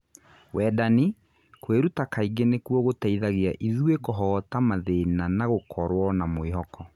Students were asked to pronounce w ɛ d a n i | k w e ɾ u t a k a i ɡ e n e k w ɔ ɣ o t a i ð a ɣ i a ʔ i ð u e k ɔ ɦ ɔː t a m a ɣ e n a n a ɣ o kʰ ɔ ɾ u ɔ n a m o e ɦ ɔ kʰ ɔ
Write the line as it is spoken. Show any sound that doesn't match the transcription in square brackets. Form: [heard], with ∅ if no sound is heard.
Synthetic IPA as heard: w ɛ d a n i | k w e ɾ u t a k a i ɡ e n e k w ɔ ɣ o t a i ð a ɣ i a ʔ i ð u e k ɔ ɦ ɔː t a m a [ð] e n a n a ɣ o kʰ ɔ ɾ [w] ɔ n a m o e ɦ ɔ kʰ ɔ